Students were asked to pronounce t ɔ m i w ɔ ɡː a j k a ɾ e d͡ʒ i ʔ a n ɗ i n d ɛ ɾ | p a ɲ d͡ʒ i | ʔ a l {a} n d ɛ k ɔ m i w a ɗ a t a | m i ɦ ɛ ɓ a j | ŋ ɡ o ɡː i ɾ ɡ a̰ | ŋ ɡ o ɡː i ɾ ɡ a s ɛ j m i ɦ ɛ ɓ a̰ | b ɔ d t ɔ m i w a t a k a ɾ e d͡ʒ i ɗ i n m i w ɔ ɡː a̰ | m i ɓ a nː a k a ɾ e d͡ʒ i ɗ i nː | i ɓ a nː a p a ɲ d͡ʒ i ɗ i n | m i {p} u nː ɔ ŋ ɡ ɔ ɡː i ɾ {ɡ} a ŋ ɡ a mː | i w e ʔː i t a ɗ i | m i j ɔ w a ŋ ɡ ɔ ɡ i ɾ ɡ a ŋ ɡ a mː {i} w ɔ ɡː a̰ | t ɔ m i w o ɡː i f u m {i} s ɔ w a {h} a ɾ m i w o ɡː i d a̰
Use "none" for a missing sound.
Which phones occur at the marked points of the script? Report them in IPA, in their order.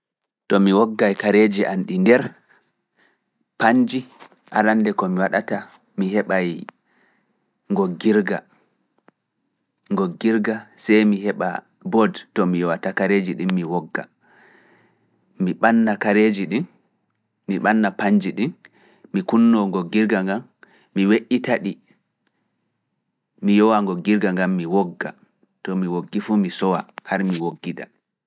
a, k, ɡ, i, i, h

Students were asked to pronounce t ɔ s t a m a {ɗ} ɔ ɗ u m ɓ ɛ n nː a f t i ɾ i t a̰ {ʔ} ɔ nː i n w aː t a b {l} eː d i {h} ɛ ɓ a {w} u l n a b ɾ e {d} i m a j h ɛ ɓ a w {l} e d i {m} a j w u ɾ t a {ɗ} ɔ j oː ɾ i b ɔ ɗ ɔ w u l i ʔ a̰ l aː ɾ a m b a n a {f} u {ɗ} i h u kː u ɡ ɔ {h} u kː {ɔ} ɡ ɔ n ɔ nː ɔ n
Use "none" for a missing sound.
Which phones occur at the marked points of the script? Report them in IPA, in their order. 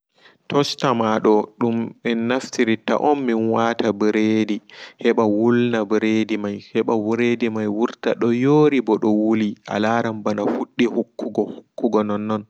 ɗ, ʔ, ɾ, h, w, d, ɾ, m, ɗ, f, ɗː, h, u

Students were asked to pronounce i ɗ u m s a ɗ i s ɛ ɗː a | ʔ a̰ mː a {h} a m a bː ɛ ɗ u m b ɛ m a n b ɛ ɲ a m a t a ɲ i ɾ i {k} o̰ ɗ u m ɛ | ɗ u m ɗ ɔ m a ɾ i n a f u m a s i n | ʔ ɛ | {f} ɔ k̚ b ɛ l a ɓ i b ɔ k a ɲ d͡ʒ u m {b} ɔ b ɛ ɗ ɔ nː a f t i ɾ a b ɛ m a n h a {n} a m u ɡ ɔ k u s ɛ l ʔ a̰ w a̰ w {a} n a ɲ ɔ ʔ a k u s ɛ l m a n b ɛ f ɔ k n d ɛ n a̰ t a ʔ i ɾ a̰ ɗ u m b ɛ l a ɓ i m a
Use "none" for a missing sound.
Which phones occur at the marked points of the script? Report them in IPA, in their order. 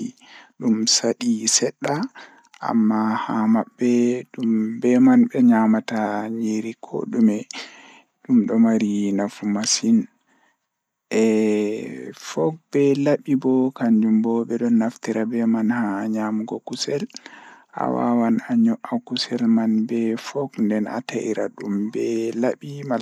h, kʰ, f, b, ɲ, a

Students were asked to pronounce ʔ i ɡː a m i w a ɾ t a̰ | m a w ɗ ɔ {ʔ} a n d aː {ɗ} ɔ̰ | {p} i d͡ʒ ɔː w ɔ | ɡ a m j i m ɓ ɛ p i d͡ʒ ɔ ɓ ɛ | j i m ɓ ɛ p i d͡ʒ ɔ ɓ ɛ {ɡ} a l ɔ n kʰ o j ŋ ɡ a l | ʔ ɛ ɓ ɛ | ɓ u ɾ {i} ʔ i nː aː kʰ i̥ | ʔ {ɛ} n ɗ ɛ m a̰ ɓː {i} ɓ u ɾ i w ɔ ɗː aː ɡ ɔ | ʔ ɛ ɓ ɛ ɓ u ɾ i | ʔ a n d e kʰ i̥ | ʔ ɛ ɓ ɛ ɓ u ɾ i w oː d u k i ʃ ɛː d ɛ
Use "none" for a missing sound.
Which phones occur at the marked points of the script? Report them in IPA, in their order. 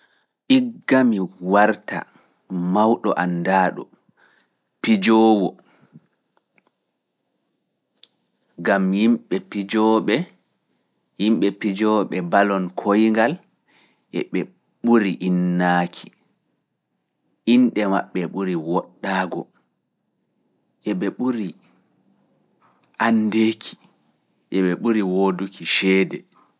ʔ, ɗ, p, b, i, i, ɛ

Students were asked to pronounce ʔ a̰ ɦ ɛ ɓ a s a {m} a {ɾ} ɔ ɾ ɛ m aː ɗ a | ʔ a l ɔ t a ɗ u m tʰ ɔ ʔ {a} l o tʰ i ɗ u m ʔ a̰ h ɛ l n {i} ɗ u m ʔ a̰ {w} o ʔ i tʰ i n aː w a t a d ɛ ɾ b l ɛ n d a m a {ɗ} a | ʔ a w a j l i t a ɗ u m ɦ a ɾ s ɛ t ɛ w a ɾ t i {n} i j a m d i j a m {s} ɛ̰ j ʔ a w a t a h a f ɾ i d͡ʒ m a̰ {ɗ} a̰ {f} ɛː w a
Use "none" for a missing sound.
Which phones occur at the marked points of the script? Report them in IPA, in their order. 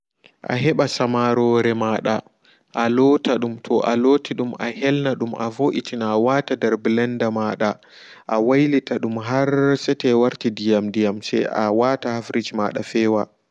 m, ɾ, a, a, v, ɗ, d, s, ɗ, f

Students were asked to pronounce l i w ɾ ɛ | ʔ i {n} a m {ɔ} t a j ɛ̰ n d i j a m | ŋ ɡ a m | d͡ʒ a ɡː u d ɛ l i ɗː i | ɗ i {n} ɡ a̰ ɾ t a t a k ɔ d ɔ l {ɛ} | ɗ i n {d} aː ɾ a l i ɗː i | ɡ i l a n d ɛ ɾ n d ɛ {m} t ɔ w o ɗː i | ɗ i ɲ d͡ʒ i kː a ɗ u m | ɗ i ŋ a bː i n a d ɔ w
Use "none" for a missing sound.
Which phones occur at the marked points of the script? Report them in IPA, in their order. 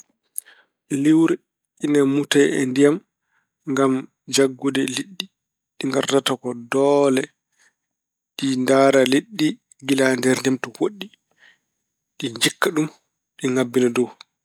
n, u, ŋ, ɛ, d, m

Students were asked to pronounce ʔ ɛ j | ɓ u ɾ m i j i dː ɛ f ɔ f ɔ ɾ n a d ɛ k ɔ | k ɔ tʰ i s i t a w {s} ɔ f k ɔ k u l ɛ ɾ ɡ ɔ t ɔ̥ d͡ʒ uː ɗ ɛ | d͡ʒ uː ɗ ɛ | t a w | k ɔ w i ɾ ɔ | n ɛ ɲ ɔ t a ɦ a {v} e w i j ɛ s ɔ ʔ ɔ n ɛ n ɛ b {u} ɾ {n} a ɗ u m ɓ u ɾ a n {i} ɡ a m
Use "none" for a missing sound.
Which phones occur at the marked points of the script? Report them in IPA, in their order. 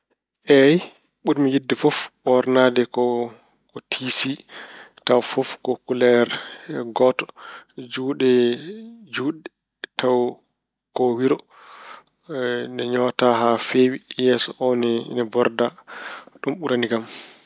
f, f, ɔ, d, i

